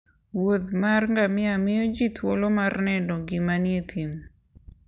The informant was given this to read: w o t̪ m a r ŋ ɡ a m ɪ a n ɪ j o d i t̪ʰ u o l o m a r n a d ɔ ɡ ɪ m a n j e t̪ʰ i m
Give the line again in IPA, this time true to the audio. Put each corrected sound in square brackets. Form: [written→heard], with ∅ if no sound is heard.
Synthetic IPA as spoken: w o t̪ m a r ŋ ɡ a m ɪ a [n→m] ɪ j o [d→d͡ʒ] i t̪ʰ [u→w] o l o m a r n [a→ɛ] d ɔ ɡ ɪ m a n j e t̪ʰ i m